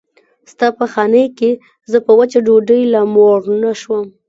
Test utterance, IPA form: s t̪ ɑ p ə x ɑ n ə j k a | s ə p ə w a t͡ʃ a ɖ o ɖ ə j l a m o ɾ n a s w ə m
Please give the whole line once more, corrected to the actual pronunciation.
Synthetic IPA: s t̪ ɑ p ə x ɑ n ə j k e | z ə p ə w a t͡ʃ a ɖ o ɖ ə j l a m o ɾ n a ʃ w ə m